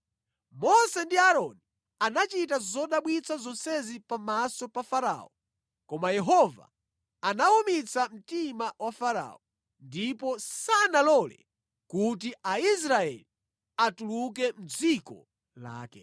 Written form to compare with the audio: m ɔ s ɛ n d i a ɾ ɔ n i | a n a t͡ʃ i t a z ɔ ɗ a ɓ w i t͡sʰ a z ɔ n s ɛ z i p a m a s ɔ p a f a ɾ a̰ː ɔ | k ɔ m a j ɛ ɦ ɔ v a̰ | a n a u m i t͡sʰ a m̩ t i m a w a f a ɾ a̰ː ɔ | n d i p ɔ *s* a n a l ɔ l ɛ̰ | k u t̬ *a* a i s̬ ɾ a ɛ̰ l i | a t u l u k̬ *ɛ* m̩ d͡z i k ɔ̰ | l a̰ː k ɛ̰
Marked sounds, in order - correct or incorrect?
correct, incorrect: i, correct

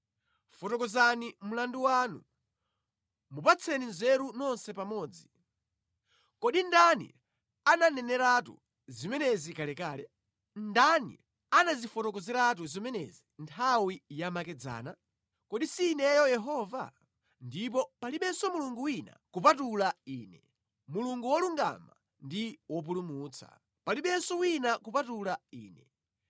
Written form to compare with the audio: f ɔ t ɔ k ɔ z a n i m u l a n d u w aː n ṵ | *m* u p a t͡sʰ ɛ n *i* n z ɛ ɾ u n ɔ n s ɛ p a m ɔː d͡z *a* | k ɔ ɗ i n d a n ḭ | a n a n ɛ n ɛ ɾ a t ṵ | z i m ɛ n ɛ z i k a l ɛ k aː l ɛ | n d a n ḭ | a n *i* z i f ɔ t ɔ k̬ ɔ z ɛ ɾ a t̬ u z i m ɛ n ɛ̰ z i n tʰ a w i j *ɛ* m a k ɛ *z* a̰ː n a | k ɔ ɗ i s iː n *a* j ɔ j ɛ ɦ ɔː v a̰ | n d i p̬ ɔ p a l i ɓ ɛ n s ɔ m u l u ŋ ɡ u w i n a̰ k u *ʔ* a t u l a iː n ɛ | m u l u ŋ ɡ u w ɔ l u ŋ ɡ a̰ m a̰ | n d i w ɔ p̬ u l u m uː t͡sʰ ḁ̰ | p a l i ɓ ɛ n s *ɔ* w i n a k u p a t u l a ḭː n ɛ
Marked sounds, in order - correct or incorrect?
correct, correct, incorrect: i, incorrect: a, incorrect: a, incorrect: d͡z, incorrect: ɛ, incorrect: p, correct

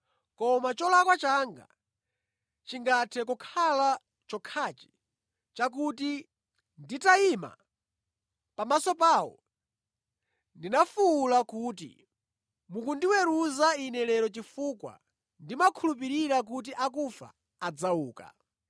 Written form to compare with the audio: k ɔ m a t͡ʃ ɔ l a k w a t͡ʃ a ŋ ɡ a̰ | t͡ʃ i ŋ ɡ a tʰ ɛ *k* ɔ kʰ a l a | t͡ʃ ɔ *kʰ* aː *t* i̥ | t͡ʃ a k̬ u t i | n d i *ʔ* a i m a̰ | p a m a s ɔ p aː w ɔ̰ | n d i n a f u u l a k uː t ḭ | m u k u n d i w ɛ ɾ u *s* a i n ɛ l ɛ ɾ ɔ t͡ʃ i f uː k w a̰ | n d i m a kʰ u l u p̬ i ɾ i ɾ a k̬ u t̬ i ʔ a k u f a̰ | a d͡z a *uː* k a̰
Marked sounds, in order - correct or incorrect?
correct, correct, incorrect: t͡ʃ, incorrect: t, incorrect: z, correct

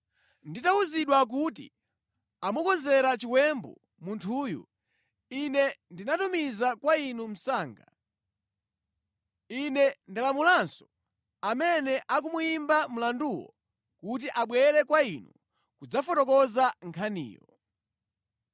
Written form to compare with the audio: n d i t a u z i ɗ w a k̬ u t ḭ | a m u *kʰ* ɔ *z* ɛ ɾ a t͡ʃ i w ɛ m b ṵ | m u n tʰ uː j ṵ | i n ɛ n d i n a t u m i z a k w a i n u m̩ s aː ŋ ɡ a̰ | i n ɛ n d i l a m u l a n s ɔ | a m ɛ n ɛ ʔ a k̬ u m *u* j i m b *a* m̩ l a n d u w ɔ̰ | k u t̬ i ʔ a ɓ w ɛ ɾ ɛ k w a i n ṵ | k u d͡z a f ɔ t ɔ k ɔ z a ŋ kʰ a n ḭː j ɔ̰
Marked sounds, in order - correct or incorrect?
incorrect: k, correct, correct, correct

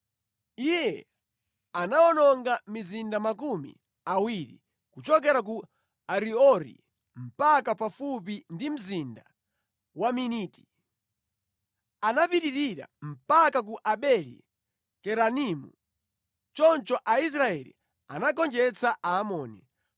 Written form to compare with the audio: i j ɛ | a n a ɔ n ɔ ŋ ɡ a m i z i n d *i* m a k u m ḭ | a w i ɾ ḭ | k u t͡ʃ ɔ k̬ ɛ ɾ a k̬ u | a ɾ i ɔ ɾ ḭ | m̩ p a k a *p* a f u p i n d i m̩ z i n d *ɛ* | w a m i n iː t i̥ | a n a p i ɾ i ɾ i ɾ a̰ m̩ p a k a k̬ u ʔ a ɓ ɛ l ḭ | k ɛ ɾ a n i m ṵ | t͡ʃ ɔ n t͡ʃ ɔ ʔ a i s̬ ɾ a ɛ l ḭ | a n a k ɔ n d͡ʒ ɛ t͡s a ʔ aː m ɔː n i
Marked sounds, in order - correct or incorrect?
incorrect: a, correct, incorrect: a

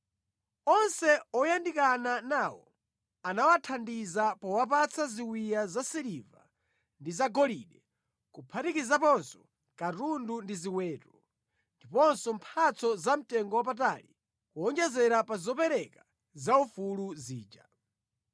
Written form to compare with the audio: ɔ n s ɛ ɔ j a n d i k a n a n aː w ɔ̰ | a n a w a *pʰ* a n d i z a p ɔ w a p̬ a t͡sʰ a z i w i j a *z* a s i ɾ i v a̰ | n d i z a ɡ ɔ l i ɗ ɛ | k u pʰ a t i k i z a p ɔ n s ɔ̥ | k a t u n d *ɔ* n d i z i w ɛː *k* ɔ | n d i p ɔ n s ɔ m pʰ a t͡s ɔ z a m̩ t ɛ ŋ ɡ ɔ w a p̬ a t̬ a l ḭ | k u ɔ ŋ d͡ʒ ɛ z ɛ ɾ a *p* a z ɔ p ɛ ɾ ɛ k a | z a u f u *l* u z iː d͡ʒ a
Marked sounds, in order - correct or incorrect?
incorrect: tʰ, correct, incorrect: u, incorrect: t, correct, correct

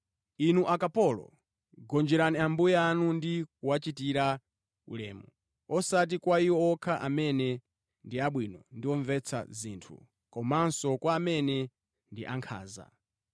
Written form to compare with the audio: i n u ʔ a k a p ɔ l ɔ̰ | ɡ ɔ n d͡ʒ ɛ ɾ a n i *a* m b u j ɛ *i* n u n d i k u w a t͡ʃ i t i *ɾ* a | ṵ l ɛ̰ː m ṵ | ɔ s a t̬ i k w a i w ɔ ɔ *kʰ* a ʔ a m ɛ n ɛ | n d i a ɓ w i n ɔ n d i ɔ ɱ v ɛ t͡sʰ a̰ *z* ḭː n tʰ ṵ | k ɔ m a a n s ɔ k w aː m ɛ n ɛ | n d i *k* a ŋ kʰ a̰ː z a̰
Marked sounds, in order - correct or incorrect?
correct, incorrect: a, correct, correct, correct, incorrect: ʔ

